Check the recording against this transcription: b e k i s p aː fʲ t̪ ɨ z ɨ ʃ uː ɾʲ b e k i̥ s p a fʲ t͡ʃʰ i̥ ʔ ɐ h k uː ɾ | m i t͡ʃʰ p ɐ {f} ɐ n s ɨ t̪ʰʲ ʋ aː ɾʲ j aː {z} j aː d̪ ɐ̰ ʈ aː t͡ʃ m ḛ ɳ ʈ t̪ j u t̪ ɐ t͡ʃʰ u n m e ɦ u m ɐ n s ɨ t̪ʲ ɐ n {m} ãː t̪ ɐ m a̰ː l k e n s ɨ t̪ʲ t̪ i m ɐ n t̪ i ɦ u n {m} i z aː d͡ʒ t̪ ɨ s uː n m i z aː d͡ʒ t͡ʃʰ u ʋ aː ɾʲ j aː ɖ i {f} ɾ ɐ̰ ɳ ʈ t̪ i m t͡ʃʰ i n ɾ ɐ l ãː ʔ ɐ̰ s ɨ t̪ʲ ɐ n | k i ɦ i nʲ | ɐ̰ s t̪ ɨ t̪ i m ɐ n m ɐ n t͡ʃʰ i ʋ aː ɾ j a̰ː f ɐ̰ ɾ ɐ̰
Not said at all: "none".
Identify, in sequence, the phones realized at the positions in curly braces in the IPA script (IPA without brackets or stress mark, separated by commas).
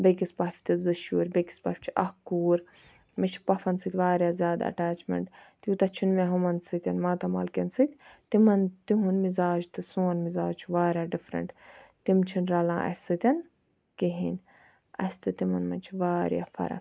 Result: f, z, m, m, f